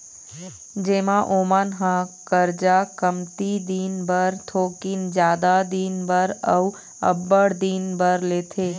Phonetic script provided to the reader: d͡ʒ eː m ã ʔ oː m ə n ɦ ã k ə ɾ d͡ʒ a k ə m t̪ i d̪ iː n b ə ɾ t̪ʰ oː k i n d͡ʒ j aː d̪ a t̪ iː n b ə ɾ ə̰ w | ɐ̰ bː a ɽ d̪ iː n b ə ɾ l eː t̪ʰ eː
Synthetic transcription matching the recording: d͡ʒ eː m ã ʔ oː m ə n ɦ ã k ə ɾ d͡ʒ a k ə m t̪ i d̪ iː n b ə ɾ t̪ʰ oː k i n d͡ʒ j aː d̪ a d̪ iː n b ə ɾ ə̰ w | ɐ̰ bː ə ɽ d̪ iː n b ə ɾ l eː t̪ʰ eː